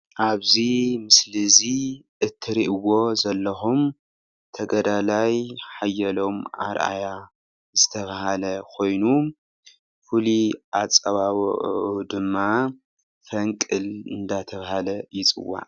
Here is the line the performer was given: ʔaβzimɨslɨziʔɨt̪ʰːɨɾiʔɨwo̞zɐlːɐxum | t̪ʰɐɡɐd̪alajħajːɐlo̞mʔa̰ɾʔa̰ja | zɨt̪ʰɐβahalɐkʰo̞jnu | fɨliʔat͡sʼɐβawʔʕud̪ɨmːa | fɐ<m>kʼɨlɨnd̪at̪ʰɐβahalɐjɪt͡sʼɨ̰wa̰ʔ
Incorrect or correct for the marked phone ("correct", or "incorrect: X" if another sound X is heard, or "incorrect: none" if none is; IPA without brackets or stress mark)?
incorrect: ŋ